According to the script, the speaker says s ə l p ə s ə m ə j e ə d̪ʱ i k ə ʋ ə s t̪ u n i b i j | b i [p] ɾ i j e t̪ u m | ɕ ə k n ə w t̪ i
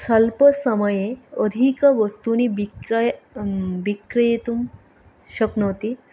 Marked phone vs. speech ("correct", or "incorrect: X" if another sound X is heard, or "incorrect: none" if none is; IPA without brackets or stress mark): incorrect: k